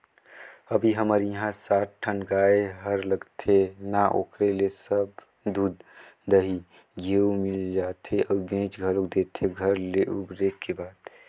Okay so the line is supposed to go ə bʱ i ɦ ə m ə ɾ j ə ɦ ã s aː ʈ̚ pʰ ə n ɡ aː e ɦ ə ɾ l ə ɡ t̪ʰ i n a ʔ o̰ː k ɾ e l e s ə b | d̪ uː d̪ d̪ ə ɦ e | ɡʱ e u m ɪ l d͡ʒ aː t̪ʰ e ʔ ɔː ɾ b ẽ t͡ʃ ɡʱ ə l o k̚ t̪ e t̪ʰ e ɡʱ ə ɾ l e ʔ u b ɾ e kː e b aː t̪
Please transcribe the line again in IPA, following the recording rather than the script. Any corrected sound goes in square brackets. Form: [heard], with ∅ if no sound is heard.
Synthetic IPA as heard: ə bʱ i ɦ ə m ə ɾ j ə ɦ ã s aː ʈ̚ [ʈʰ] ə n ɡ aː e ɦ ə ɾ l ə ɡ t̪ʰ [e] n a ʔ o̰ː k ɾ e l e s ə b | d̪ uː d̪ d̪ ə ɦ [i] | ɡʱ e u m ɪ l d͡ʒ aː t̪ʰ e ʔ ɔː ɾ b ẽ t͡ʃ ɡʱ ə l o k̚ [d̪] e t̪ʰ e ɡʱ ə ɾ l e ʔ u b ɾ e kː e b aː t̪